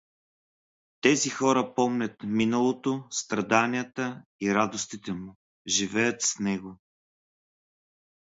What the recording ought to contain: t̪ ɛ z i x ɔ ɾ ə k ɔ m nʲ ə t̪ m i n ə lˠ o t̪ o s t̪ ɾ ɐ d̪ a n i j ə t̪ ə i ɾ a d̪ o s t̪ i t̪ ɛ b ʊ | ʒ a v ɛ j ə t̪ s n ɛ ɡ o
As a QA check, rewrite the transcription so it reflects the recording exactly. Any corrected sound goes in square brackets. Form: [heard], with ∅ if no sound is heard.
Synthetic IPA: t̪ ɛ z i x ɔ ɾ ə [p] ɔ m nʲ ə t̪ m i n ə lˠ o t̪ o s t̪ ɾ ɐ d̪ a n i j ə t̪ ə i ɾ a d̪ o s t̪ i t̪ ɛ [m] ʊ | ʒ [i] v ɛ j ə t̪ s n ɛ ɡ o